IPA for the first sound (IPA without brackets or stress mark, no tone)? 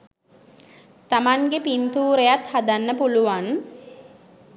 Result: t̪